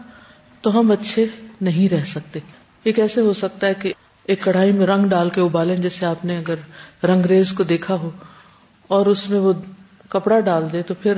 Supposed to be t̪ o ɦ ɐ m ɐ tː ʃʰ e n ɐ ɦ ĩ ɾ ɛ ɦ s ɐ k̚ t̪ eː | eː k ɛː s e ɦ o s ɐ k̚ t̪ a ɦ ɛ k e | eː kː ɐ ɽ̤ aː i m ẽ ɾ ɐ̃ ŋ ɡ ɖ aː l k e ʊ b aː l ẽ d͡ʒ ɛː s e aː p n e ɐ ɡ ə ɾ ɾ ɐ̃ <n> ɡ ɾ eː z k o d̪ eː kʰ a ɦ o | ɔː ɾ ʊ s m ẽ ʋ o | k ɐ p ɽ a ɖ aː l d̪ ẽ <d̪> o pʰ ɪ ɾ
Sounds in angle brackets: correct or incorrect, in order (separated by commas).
incorrect, incorrect